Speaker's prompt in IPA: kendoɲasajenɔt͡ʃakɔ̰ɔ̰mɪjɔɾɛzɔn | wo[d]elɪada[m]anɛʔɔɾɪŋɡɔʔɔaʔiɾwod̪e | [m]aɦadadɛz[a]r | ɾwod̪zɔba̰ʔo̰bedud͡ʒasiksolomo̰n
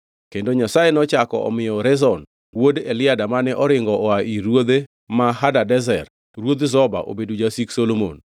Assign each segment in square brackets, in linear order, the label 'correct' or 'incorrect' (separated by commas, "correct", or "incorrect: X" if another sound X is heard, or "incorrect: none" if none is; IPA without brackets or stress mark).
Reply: correct, correct, correct, incorrect: ɛ